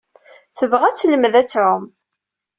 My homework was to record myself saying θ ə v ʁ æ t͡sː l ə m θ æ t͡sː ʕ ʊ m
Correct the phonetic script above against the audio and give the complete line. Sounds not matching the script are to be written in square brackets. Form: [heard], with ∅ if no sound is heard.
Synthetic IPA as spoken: θ ə v ʁ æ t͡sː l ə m [ð] æ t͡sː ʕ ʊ m